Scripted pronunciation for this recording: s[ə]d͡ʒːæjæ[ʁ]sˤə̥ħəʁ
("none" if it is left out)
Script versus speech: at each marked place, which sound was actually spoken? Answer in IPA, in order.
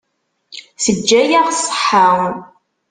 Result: ə, ʁ

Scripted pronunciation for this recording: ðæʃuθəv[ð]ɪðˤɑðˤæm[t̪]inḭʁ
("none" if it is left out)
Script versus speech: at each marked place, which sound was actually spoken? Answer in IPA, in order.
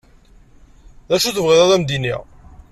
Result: ʁ, d̪

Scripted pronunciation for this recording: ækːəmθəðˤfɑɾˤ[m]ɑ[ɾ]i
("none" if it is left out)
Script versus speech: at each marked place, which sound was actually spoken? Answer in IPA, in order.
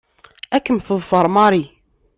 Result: m, ɾ

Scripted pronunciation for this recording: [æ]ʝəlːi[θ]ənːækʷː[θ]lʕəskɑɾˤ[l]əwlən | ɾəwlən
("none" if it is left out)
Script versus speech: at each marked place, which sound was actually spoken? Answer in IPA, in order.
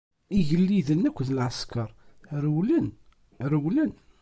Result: i, ð, ð, ɾ

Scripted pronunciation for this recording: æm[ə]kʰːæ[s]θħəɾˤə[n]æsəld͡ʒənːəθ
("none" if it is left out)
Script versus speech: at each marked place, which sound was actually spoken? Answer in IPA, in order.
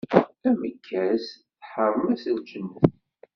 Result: ə, s, m

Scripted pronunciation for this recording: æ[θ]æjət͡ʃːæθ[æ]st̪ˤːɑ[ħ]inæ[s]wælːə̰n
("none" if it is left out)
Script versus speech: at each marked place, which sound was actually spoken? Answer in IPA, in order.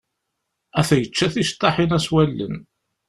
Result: θ, i, ħ, s

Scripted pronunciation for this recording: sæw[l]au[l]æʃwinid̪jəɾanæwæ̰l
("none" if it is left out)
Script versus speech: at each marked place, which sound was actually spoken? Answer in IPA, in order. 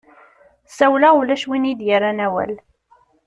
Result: l, l

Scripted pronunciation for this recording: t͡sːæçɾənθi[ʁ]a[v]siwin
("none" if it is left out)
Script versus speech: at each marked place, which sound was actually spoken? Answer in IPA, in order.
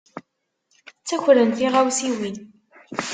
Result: ʁ, w

